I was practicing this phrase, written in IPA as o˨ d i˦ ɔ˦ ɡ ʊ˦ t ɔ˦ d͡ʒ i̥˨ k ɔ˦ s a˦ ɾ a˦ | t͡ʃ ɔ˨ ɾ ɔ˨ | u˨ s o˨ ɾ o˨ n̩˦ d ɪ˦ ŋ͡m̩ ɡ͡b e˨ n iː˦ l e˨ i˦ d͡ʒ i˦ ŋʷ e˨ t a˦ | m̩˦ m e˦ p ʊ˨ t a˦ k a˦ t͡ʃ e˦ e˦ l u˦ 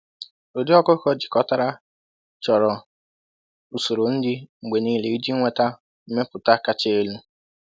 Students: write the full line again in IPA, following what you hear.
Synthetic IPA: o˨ d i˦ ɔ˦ k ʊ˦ k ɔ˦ d͡ʒ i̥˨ k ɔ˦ t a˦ ɾ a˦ | t͡ʃ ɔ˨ ɾ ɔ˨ | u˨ s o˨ ɾ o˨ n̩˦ d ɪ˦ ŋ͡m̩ ɡ͡b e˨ n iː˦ l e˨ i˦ d͡ʒ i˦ ŋʷ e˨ t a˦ | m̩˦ m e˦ p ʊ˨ t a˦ k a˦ t͡ʃ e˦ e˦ l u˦